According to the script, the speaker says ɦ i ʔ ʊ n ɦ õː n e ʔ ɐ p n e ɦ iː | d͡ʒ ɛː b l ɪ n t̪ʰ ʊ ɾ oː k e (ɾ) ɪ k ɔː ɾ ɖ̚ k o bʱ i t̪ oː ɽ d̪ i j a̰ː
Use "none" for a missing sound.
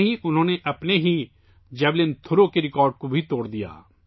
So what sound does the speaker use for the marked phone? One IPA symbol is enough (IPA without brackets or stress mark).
ɾ